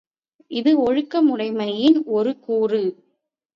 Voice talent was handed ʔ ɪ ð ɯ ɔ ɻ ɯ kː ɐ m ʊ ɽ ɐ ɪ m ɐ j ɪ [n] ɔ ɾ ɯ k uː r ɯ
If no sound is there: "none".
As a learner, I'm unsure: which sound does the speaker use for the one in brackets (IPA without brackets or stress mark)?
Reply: n